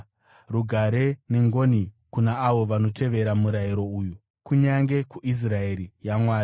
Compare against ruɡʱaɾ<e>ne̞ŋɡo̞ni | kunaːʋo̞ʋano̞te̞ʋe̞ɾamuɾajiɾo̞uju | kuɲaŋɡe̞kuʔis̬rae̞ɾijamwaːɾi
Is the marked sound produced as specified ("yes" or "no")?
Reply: yes